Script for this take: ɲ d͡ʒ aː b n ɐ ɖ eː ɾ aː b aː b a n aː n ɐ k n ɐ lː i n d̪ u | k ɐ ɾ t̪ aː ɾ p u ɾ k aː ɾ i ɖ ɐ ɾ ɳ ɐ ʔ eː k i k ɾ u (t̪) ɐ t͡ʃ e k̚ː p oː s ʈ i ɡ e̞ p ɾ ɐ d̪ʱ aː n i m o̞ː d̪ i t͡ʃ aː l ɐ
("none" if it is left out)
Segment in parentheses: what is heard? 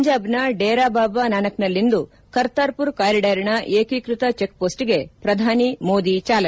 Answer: t̪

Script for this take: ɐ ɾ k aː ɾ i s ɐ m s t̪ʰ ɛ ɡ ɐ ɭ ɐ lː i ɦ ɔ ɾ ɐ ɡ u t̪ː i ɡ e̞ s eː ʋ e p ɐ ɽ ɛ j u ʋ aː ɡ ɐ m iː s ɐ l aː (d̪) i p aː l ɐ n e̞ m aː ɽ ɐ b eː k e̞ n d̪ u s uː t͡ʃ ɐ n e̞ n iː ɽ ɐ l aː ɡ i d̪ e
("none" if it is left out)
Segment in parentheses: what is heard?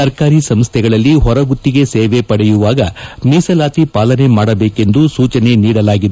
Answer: t̪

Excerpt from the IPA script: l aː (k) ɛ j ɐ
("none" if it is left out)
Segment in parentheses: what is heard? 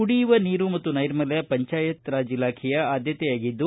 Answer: kʰ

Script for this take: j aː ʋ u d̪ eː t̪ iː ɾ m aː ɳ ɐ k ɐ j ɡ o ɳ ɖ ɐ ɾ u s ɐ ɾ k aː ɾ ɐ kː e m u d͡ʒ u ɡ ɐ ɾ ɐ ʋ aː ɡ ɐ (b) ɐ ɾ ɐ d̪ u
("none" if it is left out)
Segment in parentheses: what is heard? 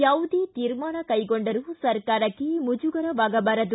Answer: b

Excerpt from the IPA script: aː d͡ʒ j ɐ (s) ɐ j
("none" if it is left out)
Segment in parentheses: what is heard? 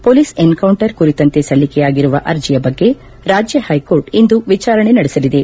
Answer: h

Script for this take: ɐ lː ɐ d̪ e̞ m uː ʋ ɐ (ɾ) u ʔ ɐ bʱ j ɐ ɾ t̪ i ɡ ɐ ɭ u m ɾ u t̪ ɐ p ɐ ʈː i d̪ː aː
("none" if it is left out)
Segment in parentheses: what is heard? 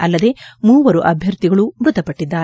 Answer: ɾ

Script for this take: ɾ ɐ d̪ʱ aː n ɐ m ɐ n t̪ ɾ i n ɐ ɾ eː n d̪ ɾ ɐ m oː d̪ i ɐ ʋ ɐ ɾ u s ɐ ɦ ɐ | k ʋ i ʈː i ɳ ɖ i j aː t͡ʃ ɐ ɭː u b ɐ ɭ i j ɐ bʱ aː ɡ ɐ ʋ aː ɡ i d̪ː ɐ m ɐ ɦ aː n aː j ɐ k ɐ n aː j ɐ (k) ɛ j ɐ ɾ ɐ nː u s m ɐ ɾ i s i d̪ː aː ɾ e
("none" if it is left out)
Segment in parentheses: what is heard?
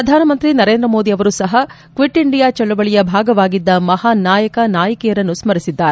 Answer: k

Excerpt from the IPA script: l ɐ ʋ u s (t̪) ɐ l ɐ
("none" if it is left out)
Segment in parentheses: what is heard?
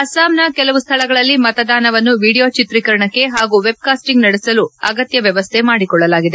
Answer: t̪ʰ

